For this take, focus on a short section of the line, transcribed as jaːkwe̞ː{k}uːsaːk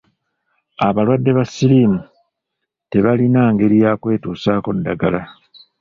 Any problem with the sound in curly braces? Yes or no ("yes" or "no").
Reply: yes